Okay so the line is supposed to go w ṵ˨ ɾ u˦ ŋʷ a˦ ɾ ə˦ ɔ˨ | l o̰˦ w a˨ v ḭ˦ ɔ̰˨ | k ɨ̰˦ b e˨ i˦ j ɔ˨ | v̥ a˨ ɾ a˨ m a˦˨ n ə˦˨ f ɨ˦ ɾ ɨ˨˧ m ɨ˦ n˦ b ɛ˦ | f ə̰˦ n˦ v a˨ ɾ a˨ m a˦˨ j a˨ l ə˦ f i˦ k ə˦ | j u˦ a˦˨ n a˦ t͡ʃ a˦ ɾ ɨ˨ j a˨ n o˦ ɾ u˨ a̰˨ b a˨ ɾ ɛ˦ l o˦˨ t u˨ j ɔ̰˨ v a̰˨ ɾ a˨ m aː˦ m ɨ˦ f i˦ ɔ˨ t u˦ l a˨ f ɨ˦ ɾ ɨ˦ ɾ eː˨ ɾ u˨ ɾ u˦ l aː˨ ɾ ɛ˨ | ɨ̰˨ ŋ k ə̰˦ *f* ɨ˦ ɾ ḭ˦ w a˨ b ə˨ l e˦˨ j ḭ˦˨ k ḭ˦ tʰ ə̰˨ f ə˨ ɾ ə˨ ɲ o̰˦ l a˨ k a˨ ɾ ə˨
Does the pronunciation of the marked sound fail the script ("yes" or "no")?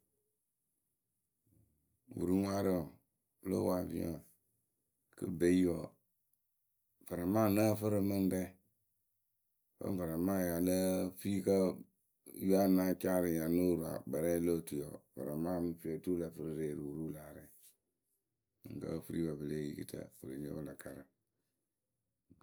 no